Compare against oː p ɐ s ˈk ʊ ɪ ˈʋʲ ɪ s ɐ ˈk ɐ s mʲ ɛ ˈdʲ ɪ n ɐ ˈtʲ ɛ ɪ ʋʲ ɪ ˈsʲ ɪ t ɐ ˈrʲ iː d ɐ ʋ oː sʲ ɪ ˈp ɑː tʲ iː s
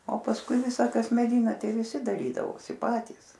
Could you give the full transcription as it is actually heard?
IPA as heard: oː p ɐ s ˈk ʊ ɪ ˈʋʲ ɪ s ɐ ˈk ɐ s mʲ ɛ ˈdʲ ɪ n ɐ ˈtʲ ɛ ɪ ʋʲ ɪ ˈsʲ ɪ d ɐ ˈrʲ iː d ɐ ʋ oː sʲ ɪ ˈp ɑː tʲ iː s